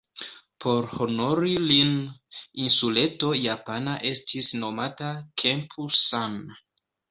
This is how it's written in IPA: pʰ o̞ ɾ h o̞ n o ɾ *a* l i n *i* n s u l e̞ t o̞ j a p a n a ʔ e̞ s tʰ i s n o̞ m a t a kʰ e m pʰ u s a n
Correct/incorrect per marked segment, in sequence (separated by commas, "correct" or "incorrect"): incorrect, correct